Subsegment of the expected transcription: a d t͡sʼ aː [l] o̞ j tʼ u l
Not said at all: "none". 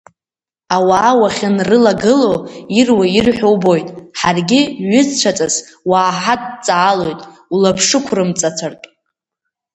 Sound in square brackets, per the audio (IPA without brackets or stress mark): l